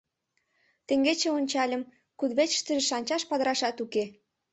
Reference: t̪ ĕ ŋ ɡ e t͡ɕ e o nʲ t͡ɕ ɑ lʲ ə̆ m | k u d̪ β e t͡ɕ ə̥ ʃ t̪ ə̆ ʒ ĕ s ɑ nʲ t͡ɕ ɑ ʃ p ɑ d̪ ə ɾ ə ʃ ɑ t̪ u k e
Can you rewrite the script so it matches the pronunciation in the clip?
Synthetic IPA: t̪ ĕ ŋ ɡ e t͡ɕ e o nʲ t͡ɕ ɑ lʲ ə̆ m | k u d̪ β e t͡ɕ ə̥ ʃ t̪ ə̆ ʒ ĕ ʃ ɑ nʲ t͡ɕ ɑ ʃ p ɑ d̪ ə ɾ ɑ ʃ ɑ t̪ u k e